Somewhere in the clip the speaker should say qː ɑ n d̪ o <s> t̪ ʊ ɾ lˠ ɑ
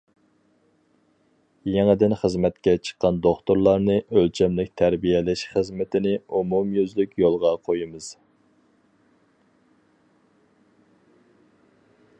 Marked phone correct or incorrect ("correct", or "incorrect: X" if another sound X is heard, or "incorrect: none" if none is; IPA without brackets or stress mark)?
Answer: incorrect: χ